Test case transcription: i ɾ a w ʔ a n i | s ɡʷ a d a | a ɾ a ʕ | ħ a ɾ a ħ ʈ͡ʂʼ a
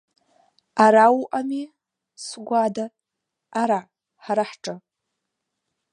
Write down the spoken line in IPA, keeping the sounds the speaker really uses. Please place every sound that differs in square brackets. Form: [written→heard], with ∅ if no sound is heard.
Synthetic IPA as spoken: [i→a] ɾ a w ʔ a [n→m] i | s ɡʷ a d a | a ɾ a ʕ | ħ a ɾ a ħ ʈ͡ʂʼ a